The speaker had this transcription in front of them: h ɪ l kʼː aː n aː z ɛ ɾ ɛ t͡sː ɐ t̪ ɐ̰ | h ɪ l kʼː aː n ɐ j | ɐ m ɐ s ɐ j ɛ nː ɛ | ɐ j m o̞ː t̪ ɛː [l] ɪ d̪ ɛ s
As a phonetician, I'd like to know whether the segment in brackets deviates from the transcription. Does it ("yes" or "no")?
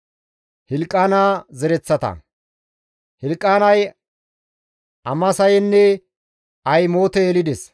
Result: no